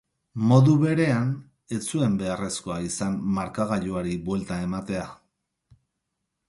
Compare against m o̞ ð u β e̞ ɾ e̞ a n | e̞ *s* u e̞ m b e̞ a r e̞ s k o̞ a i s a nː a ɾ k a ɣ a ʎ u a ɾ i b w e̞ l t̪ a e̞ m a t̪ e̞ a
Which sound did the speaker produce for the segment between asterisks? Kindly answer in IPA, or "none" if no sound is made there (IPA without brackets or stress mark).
t͡s